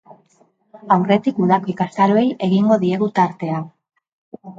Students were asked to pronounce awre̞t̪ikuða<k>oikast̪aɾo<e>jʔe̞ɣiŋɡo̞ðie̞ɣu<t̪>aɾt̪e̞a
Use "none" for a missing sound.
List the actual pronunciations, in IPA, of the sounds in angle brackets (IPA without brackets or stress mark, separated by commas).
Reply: k, e, t̪